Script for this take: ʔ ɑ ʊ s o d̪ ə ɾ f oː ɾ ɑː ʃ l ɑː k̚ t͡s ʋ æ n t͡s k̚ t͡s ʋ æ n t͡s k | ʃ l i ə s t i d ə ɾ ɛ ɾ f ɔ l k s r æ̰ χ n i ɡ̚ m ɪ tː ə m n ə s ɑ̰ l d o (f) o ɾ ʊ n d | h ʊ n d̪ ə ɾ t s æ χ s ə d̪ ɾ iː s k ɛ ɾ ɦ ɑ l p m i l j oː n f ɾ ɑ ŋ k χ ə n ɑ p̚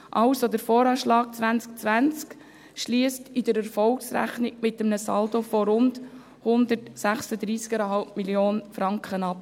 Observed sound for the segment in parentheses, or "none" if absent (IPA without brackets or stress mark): f